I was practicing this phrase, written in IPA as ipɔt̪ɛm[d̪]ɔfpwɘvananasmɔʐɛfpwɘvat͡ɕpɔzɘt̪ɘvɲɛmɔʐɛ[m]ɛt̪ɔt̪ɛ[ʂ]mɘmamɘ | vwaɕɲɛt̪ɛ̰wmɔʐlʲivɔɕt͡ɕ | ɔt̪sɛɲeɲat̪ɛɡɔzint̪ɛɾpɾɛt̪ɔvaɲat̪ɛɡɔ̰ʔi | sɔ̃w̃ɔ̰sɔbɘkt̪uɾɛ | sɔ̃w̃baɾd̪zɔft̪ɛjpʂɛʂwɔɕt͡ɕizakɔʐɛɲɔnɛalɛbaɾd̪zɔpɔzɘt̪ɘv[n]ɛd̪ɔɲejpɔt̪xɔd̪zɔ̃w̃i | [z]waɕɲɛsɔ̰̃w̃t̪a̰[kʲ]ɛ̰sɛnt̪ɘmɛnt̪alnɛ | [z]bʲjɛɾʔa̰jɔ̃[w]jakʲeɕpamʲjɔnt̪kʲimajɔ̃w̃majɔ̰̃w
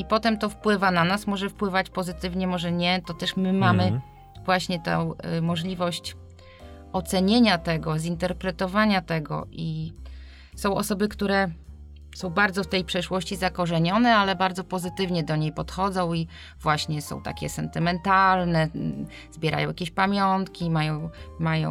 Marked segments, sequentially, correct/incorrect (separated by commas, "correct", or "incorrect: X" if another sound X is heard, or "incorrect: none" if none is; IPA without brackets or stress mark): incorrect: t̪, incorrect: ɲ, correct, incorrect: ɲ, incorrect: v, correct, correct, correct